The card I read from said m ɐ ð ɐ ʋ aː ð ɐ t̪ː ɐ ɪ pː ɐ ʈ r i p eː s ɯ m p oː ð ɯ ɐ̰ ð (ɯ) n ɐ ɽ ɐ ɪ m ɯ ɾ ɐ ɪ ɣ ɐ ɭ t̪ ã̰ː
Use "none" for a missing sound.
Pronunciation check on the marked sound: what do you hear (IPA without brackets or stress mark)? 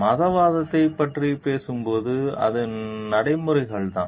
ɯ